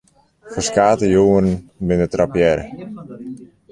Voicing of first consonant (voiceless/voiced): voiceless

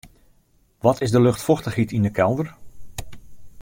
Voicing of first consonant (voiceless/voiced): voiced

